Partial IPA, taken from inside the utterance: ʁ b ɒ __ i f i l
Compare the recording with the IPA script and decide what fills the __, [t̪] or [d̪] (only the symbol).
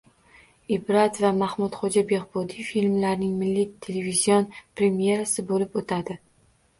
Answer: d̪